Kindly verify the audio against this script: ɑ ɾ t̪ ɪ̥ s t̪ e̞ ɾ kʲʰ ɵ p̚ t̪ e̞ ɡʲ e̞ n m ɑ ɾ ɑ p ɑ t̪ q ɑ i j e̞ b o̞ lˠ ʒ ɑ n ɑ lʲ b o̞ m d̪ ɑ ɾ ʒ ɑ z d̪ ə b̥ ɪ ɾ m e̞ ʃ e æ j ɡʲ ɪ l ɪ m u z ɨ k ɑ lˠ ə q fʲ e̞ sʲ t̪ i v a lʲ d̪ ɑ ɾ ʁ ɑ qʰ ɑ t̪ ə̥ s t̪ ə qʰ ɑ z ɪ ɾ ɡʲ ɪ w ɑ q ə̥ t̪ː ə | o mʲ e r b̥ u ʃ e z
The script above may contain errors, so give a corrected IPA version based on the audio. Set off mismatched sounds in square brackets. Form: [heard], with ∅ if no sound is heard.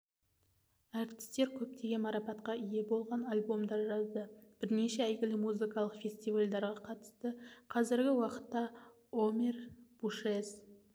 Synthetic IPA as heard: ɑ ɾ t̪ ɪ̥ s t̪ e̞ ɾ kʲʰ ɵ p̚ t̪ e̞ ɡʲ e̞ n m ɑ ɾ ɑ p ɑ t̪ q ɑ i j e̞ b o̞ lˠ [ʁ] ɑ n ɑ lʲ b o̞ m d̪ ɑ ɾ ʒ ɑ z d̪ ə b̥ ɪ ɾ [n] e̞ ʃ e æ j ɡʲ ɪ l ɪ m u z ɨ k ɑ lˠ ə q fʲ e̞ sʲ t̪ i v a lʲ d̪ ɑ ɾ ʁ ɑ qʰ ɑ t̪ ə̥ s t̪ ə qʰ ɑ z ɪ ɾ ɡʲ ɪ w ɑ q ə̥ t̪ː [ɑ] | o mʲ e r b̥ u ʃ e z